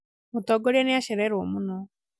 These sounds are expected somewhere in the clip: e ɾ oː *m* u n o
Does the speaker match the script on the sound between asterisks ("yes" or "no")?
yes